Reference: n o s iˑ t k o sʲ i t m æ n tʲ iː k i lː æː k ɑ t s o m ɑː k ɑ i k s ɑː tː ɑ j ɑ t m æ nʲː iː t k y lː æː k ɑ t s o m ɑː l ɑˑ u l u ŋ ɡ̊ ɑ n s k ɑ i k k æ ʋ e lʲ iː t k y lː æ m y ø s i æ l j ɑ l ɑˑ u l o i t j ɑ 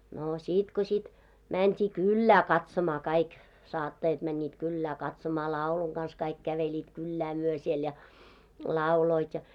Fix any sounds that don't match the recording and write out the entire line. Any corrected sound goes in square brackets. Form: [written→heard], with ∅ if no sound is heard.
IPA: n o s iˑ t k o sʲ i t m æ n tʲ iː k [i→y] lː æː k ɑ t s o m ɑː k ɑ i k s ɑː tː ɑ j ɑ t m æ nʲː iː t k y lː æː k ɑ t s o m ɑː l ɑˑ u l u ŋ ɡ̊ ɑ n s k ɑ i k k æ ʋ e lʲ iː t k y lː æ m y ø s i [æ→e] l j ɑ l ɑˑ u l o i t j ɑ

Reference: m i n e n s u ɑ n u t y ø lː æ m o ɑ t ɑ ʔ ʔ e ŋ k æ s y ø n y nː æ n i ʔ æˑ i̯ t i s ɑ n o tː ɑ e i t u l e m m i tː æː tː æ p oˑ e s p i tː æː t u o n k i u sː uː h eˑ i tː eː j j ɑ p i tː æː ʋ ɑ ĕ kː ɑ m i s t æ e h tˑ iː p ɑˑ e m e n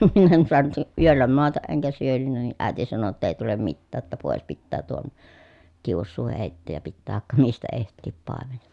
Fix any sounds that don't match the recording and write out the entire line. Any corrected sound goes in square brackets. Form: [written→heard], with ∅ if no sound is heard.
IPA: m i n e n s u ɑ n u t y ø lː æ m o ɑ t ɑ ʔ ʔ e ŋ k æ s y ø n y nː æ n i ʔ æˑ i̯ t i s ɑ n o tː ɑ e i t u l e m m i tː æː tː æ p oˑ e s p i tː æː t u o n k i u sː uː h eˑ i tː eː j j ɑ p i tː æː ʋ ɑ ĕ kː ɑ m i s t æ e h tˑ iː p ɑˑ e m e n

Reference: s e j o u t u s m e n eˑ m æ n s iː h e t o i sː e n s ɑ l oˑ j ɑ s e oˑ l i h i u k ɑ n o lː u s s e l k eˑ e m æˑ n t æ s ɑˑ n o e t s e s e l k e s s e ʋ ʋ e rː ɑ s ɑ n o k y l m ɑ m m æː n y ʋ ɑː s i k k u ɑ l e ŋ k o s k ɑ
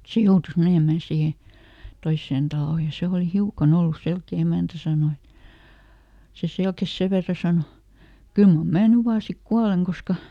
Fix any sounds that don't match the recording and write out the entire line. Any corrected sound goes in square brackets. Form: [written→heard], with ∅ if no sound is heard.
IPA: s e j o u t u s m e n eˑ m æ n s iː h e t o i sː e n [s→t] ɑ l oˑ j ɑ s e oˑ l i h i u k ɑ n o lː u s s e l k eˑ e m æˑ n t æ s ɑˑ n o e t s e s e l k e s s e ʋ ʋ e rː ɑ s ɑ n o k y l m ɑ m m æː n y ʋ ɑː s i k k u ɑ l e ŋ k o s k ɑ

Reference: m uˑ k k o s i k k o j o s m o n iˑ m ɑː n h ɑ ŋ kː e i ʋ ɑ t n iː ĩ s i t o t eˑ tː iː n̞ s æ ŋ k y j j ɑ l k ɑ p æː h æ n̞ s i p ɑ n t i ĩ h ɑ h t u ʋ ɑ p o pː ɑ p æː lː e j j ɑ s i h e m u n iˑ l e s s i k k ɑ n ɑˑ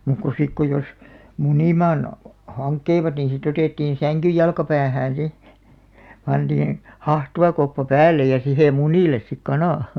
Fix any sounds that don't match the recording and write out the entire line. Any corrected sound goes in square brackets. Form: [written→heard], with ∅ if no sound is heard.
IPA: m uˑ k k o s i k k o j o s m [o→u] n iˑ m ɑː n h ɑ ŋ kː e i ʋ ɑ t n iː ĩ s i t o t eˑ tː iː n̞ s æ ŋ k y j j ɑ l k ɑ p æː h [æ→æː] n̞ s i p ɑ n t [i→iː] ĩ h ɑ h t u ʋ ɑ [p→k] o pː ɑ p æː lː e j j ɑ s i h e m u n iˑ l e s s i k k ɑ n ɑˑ

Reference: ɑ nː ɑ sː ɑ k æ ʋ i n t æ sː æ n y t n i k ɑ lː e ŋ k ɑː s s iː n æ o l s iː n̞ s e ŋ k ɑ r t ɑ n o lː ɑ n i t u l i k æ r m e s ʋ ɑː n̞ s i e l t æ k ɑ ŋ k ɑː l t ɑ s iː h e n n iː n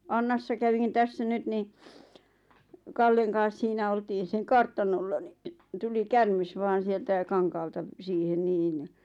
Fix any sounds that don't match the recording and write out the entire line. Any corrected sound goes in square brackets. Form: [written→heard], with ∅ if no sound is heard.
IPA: ɑ nː ɑ sː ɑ k æ ʋ i n t æ sː æ n y t n i k ɑ lː e ŋ k ɑː s s iː n æ o l [s→t] iː n̞ s e ŋ k ɑ r t ɑ n o lː ɑ n i t u l i k æ r m e s ʋ ɑː n̞ s i e l t æ k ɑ ŋ k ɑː l t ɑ s iː h e n n iː n

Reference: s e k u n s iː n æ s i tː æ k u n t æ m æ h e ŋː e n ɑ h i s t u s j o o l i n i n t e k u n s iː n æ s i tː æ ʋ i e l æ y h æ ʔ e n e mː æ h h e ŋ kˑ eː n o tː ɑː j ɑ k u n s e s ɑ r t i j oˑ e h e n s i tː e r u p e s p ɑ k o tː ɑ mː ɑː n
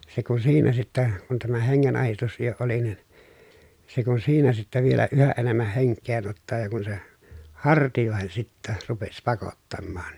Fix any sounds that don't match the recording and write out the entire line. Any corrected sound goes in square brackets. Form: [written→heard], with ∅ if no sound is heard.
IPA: s e k u n s iː n æ s i tː æ k u n t æ m æ h e ŋː e n ɑ h i s t u s j o o l i n i n [t→s] e k u n s iː n æ s i tː æ ʋ i e l æ y h æ ʔ e n e mː æ h h e ŋ kˑ eː n o tː ɑː j ɑ k u n s e [s→h] ɑ r t i j oˑ e h e n s i tː [e→æ] r u p e s p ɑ k o tː ɑ mː ɑː n

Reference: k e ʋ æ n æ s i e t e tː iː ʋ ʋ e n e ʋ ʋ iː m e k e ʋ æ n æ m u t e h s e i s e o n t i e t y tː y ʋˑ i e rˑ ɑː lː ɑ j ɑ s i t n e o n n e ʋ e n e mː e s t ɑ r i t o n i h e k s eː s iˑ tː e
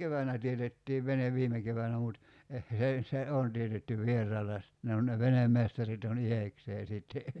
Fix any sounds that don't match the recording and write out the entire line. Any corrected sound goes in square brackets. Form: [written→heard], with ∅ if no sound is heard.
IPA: k e ʋ æ n æ [s→t] i e t e tː iː ʋ ʋ e n e ʋ ʋ iː m e k e ʋ æ n æ m u t e h s e i s e o n t i e t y tː y ʋˑ i e rˑ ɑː lː ɑ j ɑ s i t n e o n n e ʋ e n e mː e s t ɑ r i t o n i h e k s eː s iˑ tː e

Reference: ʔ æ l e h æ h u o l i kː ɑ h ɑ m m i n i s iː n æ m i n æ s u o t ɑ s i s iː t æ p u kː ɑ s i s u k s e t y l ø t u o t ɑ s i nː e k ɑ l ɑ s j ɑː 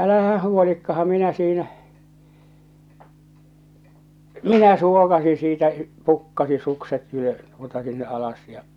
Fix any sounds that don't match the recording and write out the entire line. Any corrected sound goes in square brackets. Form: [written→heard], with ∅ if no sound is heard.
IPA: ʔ æ l [e→æ] h æ h u o l i kː ɑ h ɑ m m i n [i→æ] s iː n æ m i n æ s u o [t→k] ɑ s i s iː t æ p u kː ɑ s i s u k s e t y l ø t u o t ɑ s i nː e [k→ʔ] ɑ l ɑ s j [ɑː→ɑ]

